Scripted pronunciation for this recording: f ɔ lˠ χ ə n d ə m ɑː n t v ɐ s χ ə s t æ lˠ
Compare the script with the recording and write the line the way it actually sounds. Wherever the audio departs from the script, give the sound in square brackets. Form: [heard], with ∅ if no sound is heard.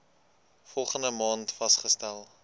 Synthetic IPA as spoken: f ɔ lˠ χ ə n d ə m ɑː n t [f] ɐ s χ ə s t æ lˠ